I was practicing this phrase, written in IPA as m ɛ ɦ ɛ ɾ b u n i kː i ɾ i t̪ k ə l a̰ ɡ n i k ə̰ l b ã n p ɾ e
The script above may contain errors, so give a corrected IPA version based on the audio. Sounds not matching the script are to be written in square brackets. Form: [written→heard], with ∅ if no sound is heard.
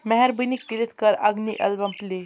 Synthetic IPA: m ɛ ɦ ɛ ɾ b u n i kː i ɾ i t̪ k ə [l→ɾ] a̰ ɡ n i [k→ʔ] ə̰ l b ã [n→m] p [ɾ→l] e

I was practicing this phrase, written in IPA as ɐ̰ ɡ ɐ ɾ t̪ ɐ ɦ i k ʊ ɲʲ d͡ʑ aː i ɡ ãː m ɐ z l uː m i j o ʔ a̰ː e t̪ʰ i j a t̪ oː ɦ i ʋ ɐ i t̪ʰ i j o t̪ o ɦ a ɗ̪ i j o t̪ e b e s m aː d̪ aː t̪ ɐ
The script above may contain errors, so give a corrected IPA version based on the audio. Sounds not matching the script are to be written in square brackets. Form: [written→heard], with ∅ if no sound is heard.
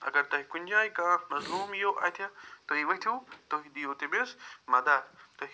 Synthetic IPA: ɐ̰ ɡ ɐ ɾ t̪ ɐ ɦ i k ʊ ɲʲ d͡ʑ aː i [ɡ→k] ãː m ɐ z l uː m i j o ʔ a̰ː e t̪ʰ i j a t̪ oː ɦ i ʋ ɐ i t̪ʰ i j o t̪ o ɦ [a→i] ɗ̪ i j o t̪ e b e s m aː d̪ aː t̪ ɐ

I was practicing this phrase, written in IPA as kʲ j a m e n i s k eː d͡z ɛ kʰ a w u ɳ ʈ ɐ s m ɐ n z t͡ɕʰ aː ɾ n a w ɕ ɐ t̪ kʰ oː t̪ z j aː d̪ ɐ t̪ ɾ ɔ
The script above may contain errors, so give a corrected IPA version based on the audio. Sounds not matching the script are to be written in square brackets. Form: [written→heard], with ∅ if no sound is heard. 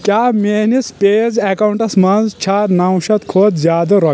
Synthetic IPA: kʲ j a m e n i s [k→p] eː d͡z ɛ [kʰ→k] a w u ɳ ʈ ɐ s m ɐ n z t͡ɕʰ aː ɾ n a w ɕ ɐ t̪ kʰ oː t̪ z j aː d̪ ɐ [t̪→∅] ɾ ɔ

